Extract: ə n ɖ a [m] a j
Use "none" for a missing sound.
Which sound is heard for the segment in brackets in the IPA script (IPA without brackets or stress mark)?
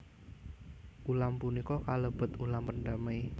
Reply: m